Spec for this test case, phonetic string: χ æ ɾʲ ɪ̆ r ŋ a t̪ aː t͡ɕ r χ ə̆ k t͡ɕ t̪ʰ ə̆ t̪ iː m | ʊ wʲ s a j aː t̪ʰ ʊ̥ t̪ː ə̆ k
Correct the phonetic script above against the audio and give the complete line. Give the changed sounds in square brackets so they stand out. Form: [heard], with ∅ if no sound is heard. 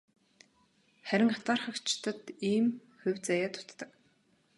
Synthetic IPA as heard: χ æ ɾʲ ɪ̆ [∅] ŋ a t̪ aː [∅] r χ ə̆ k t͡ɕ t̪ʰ ə̆ t̪ iː m | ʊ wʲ [t͡s] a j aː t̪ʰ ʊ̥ t̪ː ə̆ k